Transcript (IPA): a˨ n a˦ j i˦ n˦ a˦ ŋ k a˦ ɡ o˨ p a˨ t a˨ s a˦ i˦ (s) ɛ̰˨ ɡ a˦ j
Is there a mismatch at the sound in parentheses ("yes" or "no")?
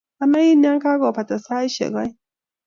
yes